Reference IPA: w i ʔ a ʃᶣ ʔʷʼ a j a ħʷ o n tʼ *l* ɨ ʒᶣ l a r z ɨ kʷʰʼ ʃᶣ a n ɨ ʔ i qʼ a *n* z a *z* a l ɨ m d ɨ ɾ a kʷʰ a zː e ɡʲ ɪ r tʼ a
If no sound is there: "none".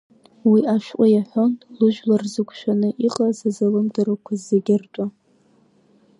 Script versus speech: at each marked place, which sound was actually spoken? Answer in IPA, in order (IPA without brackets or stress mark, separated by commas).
l, none, z